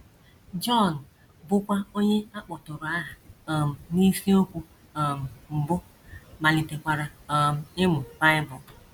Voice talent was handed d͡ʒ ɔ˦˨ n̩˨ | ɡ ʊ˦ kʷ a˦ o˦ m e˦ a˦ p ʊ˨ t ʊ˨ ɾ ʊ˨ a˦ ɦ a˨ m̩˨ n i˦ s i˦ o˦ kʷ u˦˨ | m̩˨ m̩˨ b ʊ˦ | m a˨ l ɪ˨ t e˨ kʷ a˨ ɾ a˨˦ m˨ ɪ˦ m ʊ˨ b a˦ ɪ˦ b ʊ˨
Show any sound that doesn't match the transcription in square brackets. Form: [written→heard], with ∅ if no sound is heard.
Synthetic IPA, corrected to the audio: d͡ʒ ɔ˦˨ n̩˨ | [ɡ→b] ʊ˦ kʷ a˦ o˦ [m→ɲ] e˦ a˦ [p→k͡p] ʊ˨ t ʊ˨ ɾ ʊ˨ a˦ ɦ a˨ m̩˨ n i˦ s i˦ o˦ kʷ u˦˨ | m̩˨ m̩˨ b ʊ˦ | m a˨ l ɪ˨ t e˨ kʷ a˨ ɾ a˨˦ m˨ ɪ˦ m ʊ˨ b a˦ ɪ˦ b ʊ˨